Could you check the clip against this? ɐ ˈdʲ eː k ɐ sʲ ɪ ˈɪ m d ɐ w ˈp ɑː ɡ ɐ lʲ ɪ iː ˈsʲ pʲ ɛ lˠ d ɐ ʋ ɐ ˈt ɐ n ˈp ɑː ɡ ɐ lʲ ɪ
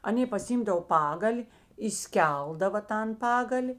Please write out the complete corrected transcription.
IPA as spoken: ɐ ˈnʲ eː p ɐ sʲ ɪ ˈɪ m d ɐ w ˈp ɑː ɡ ɐ lʲ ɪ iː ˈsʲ kʲ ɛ lˠ d ɐ ʋ ɐ ˈt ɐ n ˈp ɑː ɡ ɐ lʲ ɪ